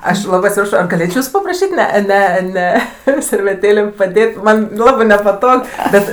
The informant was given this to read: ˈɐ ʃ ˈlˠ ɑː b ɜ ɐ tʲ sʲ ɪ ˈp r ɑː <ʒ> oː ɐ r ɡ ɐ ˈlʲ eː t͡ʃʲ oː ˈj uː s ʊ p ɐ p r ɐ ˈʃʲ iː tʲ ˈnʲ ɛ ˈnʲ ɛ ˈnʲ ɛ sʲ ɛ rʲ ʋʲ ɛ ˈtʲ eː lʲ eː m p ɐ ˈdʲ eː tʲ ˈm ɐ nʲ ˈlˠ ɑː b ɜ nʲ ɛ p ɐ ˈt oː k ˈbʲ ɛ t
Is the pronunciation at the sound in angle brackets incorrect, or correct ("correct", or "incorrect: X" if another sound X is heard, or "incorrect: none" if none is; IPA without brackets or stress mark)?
incorrect: ʃ